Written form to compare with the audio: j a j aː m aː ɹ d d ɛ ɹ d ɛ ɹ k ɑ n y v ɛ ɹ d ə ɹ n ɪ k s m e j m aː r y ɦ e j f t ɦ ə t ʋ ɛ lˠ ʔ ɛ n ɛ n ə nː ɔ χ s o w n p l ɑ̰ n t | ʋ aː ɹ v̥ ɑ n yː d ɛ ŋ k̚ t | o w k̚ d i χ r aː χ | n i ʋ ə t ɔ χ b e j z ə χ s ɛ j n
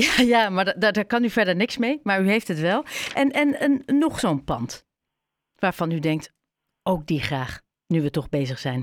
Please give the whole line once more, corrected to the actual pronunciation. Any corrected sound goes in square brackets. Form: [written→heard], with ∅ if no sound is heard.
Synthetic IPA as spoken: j a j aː m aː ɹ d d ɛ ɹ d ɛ ɹ k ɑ n y v ɛ ɹ d ə ɹ n ɪ k s m e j m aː [r→ɹ] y ɦ e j f t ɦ ə t ʋ ɛ lˠ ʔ ɛ n ɛ n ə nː ɔ χ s o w n p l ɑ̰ n t | ʋ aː ɹ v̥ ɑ n [yː→y] d ɛ ŋ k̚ t | o w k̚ d i χ r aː χ | n [i→y] ʋ ə t ɔ χ b e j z ə χ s ɛ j n